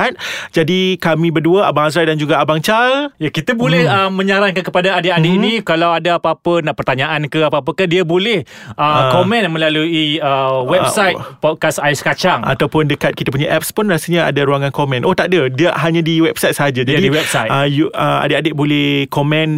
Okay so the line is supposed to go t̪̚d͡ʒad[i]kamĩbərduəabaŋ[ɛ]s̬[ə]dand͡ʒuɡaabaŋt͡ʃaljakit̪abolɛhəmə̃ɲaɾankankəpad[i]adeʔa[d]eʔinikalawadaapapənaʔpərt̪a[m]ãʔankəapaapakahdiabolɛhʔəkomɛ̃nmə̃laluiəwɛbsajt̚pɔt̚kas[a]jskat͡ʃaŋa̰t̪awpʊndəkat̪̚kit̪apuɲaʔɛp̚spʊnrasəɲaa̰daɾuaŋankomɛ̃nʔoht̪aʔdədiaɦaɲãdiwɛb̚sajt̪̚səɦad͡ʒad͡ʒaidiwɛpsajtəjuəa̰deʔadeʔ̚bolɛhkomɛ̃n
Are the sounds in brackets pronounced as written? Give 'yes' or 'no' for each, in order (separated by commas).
yes, no, no, no, yes, no, yes